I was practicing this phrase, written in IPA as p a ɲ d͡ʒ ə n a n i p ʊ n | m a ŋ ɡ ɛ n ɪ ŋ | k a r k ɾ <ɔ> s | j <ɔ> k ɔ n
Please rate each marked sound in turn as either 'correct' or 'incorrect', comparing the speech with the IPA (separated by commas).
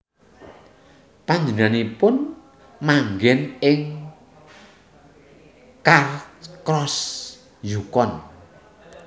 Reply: correct, incorrect